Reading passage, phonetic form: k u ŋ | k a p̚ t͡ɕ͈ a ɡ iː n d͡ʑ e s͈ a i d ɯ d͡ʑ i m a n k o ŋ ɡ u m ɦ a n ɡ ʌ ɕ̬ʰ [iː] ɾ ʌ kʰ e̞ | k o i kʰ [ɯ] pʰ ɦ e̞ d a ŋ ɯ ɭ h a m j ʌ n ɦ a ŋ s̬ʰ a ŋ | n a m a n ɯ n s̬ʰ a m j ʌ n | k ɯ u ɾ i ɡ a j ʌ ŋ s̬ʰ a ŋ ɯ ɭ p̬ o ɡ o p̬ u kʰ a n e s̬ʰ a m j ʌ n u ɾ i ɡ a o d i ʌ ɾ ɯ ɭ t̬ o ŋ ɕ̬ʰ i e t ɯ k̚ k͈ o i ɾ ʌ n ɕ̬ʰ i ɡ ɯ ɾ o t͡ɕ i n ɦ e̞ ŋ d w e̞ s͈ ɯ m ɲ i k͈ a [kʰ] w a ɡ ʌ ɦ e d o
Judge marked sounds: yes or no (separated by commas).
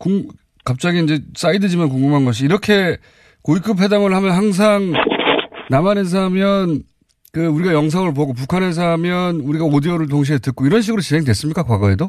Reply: yes, yes, no